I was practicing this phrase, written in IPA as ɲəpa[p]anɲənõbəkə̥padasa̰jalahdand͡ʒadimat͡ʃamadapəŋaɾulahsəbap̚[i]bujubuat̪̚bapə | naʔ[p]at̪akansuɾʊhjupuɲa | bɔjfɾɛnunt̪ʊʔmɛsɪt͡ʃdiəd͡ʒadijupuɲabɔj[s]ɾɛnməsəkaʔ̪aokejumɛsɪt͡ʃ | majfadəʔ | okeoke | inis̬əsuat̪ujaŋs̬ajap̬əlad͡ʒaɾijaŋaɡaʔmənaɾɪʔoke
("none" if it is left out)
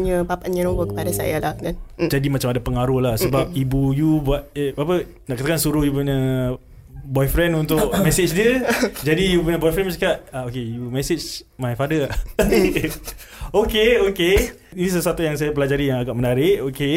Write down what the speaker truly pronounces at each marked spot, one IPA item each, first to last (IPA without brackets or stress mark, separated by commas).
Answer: p, i, k, f